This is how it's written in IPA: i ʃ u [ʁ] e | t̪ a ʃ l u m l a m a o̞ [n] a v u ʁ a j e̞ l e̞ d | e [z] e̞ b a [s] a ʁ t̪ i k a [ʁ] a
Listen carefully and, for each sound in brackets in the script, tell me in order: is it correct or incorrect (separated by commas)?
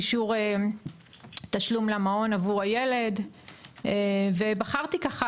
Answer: correct, correct, incorrect, incorrect, incorrect